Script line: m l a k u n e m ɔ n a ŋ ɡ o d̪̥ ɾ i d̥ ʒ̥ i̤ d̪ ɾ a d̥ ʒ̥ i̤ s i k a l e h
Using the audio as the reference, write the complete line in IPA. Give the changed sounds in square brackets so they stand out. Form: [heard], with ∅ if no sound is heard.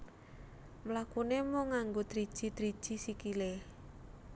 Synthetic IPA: m l a k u n e m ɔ [ŋ] a ŋ ɡ o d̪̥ ɾ i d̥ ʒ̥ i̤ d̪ ɾ [i] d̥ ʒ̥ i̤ s i k [i] l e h